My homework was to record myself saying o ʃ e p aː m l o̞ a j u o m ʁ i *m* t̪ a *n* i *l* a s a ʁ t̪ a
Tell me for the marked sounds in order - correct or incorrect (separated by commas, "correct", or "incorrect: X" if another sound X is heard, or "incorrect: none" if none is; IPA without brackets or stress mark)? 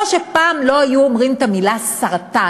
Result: correct, incorrect: m, correct